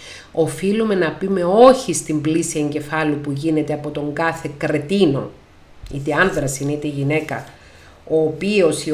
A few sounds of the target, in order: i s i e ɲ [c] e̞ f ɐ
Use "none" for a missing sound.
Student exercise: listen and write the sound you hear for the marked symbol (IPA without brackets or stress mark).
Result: ɟ